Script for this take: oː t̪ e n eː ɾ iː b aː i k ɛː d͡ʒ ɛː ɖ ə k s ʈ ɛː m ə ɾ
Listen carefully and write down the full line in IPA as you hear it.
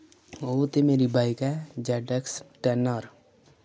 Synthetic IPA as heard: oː t̪ e m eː ɾ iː b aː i k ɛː d͡ʒ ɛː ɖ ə k s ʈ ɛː n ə ɾ